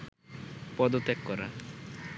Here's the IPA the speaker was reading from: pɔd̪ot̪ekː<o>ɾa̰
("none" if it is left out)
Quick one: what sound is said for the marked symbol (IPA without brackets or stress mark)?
ɔ